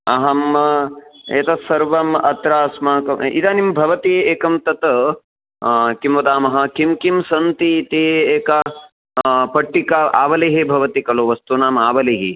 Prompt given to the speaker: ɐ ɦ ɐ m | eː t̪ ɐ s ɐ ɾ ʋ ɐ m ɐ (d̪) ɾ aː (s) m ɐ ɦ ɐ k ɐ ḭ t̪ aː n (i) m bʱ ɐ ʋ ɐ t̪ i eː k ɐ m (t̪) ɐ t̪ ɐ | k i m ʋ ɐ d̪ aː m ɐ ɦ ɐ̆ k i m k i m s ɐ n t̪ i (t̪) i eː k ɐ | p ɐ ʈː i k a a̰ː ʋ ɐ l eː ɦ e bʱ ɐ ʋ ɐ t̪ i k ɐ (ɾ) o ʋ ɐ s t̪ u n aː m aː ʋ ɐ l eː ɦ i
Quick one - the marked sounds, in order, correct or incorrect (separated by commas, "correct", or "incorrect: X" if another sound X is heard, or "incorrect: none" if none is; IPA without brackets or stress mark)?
incorrect: t̪, correct, correct, correct, correct, incorrect: l